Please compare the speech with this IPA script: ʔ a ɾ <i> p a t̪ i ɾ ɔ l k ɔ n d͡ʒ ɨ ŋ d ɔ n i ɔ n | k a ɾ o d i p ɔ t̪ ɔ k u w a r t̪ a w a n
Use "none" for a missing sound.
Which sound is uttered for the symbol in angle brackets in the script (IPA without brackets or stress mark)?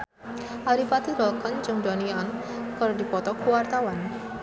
i